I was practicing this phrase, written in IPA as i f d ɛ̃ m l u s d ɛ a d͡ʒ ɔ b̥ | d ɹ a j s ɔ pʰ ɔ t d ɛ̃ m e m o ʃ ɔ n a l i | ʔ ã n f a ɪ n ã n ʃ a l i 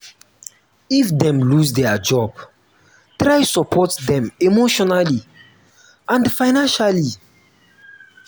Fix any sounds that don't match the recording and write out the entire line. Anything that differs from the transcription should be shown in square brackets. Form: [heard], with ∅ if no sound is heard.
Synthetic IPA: i f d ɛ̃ m l u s d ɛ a d͡ʒ ɔ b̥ | [t] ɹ a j s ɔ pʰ ɔ t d ɛ̃ m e m o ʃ ɔ n a l i | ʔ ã n f a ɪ n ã n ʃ a l i